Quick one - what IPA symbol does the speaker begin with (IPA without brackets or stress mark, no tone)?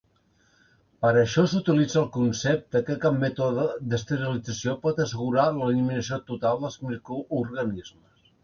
p